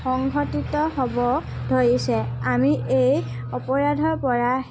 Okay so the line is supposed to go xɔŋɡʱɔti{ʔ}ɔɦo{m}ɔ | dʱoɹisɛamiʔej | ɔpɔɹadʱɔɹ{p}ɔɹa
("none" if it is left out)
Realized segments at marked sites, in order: t, b, p

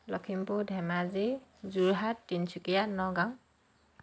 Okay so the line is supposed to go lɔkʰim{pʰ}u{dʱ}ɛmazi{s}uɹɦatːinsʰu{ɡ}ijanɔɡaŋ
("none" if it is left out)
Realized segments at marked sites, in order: p, dʱ, z, k

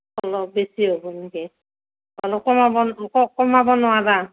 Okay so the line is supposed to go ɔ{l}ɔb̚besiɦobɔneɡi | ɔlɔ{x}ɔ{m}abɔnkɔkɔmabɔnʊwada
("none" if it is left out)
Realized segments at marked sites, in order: l, k, m

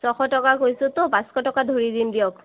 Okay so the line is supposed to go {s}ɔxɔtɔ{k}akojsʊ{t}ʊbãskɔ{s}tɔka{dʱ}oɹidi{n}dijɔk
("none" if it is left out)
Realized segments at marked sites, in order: s, k, t, none, dʱ, n

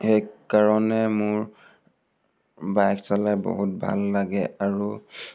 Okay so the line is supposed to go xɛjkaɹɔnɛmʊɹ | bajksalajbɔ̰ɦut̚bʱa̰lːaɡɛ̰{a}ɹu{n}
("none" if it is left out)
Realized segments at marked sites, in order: a, none

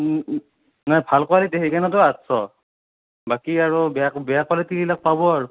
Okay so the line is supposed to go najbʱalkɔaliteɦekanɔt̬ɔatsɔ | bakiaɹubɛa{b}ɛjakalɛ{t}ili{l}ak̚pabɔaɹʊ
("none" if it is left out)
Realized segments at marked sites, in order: b, t, l

